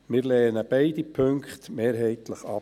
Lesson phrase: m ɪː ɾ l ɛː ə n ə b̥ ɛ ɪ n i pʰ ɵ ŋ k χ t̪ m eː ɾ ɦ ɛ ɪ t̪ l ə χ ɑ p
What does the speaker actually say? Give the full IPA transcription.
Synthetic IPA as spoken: m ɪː ɾ l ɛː ə n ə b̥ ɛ ɪ d i pʰ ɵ ŋ k χ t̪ m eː ɾ ɦ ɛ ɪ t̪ l ə χ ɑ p